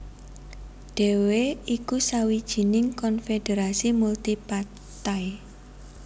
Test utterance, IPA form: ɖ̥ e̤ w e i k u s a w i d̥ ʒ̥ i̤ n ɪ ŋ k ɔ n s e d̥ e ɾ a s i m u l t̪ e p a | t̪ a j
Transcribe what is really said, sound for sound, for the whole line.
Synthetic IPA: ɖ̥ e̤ w e i k u s a w i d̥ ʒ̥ i̤ n ɪ ŋ k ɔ n f e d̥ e ɾ a s i m u l t̪ i p a | t̪ a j